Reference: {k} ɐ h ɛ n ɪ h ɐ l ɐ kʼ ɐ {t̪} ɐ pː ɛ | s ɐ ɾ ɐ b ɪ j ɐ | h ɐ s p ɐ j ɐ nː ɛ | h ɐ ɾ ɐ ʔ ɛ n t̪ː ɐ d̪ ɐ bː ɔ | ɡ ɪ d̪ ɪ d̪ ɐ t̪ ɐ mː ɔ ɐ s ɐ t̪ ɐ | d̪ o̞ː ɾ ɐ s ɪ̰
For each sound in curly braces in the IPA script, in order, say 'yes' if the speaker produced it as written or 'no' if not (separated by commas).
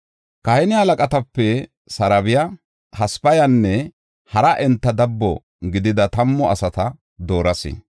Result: yes, yes